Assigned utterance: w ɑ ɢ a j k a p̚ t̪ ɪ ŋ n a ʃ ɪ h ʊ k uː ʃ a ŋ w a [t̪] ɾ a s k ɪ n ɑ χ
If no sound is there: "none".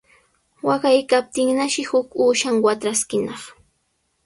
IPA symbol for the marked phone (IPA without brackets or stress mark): t̪